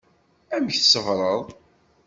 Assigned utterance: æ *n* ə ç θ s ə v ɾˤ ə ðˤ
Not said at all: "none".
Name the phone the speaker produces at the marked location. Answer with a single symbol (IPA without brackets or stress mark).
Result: m